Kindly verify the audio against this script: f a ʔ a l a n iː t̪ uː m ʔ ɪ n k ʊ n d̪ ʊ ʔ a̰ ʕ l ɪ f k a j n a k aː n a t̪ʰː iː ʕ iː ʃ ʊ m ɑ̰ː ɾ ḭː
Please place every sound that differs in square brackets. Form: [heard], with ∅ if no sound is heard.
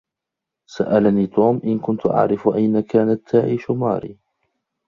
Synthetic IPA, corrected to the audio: [s] a ʔ a l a n iː t̪ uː m ʔ ɪ n k ʊ n [t̪] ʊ ʔ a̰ ʕ [ɾ] ɪ f [ʔ] a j n a k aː n a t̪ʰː [aː] ʕ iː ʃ ʊ m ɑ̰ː ɾ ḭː